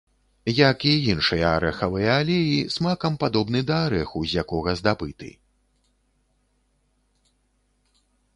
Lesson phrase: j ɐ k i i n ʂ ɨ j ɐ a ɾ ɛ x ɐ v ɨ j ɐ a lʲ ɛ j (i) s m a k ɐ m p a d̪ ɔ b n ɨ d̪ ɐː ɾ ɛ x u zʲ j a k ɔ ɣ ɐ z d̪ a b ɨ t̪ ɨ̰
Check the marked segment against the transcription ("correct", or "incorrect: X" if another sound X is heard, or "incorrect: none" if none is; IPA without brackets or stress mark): correct